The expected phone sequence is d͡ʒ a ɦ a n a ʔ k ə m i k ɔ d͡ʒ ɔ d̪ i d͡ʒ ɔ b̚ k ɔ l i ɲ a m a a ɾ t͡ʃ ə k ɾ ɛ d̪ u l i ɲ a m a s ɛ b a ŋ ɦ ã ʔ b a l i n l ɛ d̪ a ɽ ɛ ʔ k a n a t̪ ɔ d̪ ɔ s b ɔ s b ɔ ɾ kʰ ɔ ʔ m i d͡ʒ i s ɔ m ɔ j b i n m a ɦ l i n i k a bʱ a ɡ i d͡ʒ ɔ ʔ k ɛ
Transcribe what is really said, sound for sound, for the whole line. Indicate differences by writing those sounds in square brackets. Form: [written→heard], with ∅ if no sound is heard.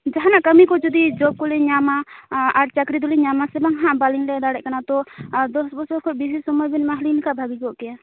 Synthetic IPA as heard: d͡ʒ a ɦ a n a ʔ k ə m i k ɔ d͡ʒ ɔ d̪ i d͡ʒ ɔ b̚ k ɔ l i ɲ a m a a ɾ t͡ʃ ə k ɾ [ɛ→i] d̪ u l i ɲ a m a s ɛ b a ŋ ɦ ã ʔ b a l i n l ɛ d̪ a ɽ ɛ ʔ k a n a t̪ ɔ d̪ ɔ s b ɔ s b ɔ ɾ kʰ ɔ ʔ [m→b] i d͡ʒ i s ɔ m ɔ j b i n m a ɦ l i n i k a bʱ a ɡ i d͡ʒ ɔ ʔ k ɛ